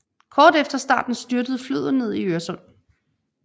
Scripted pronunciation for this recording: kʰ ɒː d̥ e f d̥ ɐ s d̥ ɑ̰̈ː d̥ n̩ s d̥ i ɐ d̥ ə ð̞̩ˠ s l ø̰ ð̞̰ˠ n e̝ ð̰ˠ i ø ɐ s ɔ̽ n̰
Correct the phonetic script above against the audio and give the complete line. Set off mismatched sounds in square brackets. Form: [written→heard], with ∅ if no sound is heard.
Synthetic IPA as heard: kʰ ɒː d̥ e f d̥ ɐ s d̥ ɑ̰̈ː d̥ n̩ s d̥ [i→y] ɐ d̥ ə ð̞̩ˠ [s→f] l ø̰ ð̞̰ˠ n e̝ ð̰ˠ i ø ɐ s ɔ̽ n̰